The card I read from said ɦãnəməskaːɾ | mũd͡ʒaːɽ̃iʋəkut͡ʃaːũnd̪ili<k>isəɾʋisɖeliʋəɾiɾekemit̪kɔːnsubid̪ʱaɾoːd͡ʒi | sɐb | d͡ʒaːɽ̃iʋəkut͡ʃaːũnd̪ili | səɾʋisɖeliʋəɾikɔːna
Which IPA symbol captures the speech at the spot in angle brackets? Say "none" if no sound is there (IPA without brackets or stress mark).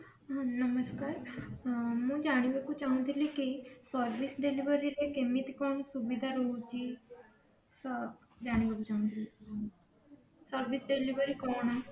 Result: k